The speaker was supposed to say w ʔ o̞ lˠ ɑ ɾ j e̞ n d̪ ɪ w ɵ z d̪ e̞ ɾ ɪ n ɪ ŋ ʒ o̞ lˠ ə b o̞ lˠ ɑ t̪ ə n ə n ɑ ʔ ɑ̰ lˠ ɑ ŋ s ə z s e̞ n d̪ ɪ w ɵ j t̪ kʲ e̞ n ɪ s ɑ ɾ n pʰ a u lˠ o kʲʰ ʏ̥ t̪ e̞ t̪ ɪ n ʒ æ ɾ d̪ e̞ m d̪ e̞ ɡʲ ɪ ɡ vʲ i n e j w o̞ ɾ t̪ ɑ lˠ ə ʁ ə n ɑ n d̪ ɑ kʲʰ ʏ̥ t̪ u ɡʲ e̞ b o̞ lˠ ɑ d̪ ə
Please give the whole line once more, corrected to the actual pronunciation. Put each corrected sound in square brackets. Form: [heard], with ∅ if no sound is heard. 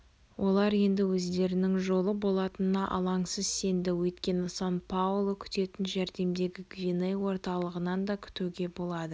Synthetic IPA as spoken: w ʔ o̞ lˠ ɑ ɾ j e̞ n d̪ ɪ w ɵ z d̪ e̞ ɾ ɪ n ɪ ŋ ʒ o̞ lˠ ə b o̞ lˠ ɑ t̪ ə n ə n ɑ ʔ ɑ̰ lˠ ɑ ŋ s ə z s e̞ n d̪ ɪ w ɵ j t̪ kʲ e̞ n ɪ s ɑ [∅] n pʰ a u lˠ o kʲʰ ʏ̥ t̪ e̞ t̪ ɪ n ʒ æ ɾ d̪ e̞ m d̪ e̞ ɡʲ ɪ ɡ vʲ i n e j w o̞ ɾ t̪ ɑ lˠ ə ʁ ə n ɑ n d̪ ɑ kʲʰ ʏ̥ t̪ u ɡʲ e̞ b o̞ lˠ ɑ d̪ ə